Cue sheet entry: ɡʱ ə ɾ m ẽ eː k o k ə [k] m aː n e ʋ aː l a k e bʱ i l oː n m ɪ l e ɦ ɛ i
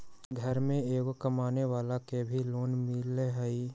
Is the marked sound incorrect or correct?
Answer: incorrect